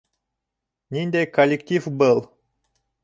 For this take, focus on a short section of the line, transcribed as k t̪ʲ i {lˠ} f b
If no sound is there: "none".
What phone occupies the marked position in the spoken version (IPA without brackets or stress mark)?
none